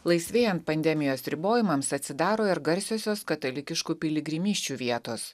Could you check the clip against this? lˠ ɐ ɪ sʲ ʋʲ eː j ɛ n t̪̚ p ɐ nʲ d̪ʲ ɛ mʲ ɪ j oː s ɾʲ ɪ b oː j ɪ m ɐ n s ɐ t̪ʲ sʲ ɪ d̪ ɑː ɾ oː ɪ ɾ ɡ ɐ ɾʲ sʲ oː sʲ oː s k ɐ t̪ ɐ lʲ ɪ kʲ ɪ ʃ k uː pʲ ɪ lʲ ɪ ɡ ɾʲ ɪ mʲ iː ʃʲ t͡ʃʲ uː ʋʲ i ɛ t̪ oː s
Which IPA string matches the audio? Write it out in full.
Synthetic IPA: lˠ ɐ ɪ sʲ ʋʲ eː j ɛ n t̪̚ p ɐ nʲ d̪ʲ ɛ mʲ ɪ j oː s ɾʲ ɪ b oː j ɪ m ɐ m s ɐ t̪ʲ sʲ ɪ d̪ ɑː ɾ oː ɪ ɾ ɡ ɐ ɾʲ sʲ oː sʲ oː s k ɐ t̪ ɐ lʲ ɪ kʲ ɪ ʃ k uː pʲ ɪ lʲ ɪ ɡ ɾʲ ɪ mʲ iː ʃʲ t͡ʃʲ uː ʋʲ i ɛ t̪ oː s